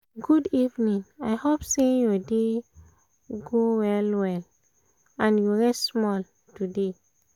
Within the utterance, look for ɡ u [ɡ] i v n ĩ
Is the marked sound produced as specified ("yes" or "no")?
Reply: no